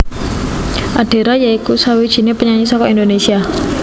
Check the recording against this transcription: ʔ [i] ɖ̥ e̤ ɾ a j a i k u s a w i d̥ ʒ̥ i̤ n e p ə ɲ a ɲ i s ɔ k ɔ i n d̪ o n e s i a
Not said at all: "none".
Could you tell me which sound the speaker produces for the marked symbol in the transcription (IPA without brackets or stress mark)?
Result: a